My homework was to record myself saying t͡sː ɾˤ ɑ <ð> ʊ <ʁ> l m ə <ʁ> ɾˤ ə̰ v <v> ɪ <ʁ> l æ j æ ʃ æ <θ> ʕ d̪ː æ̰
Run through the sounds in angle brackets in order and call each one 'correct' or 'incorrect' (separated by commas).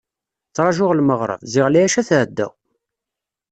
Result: incorrect, correct, correct, incorrect, correct, correct